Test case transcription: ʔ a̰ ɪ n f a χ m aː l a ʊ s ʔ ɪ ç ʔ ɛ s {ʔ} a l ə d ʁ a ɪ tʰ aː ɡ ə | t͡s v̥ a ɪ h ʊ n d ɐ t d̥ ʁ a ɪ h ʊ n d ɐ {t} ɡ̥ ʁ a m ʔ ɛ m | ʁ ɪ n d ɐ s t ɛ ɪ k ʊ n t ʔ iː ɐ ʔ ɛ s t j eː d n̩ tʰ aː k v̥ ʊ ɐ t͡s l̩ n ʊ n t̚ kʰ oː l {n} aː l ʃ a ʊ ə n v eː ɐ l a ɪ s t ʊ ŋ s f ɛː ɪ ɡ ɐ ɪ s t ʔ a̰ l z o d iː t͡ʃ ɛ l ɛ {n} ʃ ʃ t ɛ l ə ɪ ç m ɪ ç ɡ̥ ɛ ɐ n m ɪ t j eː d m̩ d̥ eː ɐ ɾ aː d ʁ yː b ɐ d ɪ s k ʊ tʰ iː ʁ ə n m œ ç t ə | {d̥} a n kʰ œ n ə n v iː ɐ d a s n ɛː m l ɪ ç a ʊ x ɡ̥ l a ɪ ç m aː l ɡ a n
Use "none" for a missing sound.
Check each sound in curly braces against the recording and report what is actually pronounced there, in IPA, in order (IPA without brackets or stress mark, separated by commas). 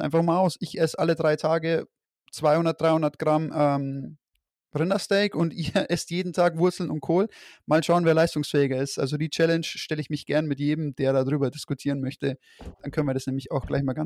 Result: ʔ, t, m, n, d̥